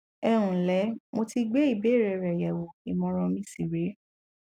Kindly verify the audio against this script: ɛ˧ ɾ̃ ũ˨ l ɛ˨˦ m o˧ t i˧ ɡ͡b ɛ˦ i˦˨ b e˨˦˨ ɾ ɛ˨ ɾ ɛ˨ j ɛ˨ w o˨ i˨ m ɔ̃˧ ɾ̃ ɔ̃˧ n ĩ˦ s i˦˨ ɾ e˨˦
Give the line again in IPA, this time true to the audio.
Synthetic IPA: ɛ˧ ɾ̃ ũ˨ l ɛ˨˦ m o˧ t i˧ ɡ͡b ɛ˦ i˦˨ b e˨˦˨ ɾ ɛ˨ ɾ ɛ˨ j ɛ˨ w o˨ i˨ m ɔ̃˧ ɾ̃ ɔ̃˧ m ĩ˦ s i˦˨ ɾ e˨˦